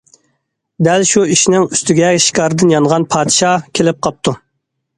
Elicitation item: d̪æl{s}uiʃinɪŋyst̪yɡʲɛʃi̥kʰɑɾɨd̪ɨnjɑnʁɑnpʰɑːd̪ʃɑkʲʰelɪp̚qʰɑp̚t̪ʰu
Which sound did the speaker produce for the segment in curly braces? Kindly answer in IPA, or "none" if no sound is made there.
ʃ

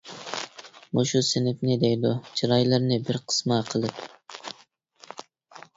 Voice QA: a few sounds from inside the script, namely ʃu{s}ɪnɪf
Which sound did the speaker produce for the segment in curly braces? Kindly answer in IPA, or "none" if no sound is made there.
s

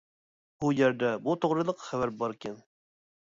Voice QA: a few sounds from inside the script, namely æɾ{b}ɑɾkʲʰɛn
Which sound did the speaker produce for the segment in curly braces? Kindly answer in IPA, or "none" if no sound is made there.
b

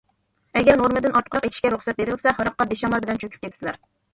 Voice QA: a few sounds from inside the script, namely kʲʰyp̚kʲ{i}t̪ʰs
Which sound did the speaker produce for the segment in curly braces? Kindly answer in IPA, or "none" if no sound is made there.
e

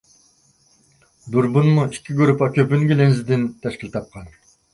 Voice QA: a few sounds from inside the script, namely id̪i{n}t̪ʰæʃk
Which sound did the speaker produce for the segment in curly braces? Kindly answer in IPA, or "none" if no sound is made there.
n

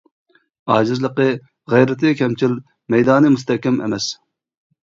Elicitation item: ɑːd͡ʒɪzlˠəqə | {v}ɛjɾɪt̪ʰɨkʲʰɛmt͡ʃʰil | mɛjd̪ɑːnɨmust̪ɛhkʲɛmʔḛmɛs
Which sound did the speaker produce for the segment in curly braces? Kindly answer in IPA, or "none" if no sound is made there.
ʁ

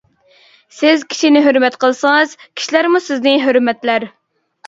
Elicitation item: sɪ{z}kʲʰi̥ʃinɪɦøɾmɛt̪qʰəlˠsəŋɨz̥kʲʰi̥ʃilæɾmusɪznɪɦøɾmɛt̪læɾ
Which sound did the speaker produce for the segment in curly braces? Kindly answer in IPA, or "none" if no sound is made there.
z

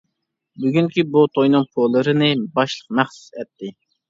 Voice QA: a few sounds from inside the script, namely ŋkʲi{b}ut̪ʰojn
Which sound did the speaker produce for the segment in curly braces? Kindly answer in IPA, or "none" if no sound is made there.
b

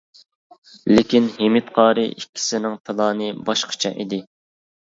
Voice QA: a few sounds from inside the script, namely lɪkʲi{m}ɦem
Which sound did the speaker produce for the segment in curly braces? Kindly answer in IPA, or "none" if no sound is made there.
n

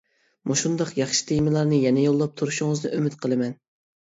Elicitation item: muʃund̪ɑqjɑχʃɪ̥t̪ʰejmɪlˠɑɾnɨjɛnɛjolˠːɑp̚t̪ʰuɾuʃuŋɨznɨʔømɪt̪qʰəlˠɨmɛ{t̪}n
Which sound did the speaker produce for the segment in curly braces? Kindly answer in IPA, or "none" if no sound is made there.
none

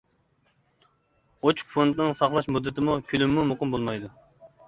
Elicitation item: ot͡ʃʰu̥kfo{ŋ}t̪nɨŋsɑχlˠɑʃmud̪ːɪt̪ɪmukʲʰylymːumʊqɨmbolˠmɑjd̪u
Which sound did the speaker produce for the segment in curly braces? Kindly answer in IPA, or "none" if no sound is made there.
n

